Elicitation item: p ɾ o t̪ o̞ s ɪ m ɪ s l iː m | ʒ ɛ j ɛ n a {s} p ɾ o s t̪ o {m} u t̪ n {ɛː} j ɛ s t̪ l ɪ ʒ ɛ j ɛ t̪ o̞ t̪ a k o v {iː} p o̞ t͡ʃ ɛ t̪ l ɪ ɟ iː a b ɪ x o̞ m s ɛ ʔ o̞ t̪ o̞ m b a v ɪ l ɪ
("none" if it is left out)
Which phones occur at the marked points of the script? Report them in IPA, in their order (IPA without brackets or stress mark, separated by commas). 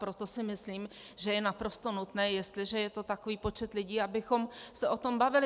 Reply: none, n, ɛː, iː